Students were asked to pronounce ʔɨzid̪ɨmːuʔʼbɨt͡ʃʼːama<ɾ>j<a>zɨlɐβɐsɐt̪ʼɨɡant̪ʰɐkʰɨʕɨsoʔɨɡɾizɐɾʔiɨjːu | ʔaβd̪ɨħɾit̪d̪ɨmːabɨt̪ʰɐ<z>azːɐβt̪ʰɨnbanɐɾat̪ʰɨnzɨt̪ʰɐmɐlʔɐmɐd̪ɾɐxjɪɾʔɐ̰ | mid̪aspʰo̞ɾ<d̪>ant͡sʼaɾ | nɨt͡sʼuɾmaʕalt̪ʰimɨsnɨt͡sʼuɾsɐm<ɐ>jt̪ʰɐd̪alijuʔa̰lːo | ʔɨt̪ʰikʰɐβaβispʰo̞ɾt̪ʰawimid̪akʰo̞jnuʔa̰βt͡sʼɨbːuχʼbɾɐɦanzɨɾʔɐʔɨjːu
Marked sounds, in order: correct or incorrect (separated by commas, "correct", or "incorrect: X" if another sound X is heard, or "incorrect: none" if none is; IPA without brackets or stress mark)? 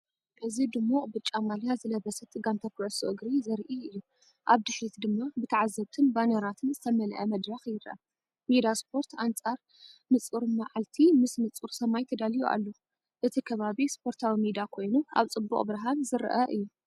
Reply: incorrect: l, correct, incorrect: ʕ, incorrect: t̪, incorrect: a